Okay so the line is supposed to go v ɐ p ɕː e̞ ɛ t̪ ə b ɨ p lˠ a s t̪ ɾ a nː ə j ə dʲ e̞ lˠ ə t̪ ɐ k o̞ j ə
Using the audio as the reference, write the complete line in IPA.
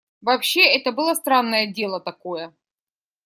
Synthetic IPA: v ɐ p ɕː e̞ ɛ t̪ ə b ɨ lˠ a s t̪ ɾ a nː ə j ə dʲ e̞ lˠ ə t̪ ɐ k o̞ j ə